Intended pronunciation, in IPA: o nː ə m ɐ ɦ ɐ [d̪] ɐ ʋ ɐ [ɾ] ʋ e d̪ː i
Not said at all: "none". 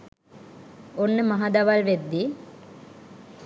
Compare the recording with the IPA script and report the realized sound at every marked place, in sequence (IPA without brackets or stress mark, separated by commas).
d̪, l